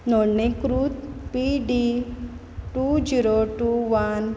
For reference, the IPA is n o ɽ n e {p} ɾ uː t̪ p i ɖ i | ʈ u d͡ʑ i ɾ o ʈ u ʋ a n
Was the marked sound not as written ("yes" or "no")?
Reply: yes